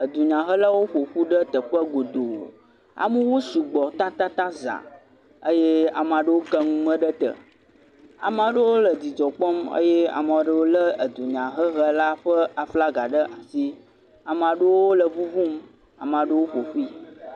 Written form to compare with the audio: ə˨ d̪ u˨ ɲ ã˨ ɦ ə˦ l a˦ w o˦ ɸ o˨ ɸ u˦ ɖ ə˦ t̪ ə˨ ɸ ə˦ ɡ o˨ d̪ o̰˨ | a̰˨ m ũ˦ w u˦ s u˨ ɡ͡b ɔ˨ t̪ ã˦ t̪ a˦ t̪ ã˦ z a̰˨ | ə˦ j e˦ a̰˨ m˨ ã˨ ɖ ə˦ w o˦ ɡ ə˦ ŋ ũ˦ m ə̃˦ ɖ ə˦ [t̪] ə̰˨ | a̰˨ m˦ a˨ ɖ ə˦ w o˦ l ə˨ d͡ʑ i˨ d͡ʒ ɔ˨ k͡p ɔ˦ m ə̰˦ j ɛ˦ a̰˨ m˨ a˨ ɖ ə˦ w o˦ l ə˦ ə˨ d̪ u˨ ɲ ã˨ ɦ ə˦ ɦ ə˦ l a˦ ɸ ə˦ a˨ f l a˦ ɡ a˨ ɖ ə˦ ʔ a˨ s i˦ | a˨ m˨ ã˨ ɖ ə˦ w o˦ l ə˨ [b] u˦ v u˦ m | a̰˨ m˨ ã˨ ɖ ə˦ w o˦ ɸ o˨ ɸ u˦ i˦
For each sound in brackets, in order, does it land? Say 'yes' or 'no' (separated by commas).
yes, no